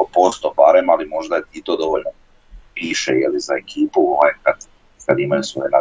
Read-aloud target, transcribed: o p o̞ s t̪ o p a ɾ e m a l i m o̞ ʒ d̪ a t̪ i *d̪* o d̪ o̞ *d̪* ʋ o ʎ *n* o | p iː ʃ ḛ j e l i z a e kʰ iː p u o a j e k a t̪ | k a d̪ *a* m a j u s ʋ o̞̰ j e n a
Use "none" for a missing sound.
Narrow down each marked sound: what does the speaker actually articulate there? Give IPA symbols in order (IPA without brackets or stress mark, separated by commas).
t̪, none, n, i